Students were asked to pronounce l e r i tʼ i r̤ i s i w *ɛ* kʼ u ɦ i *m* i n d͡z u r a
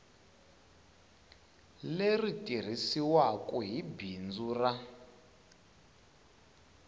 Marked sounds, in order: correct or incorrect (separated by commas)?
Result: incorrect, incorrect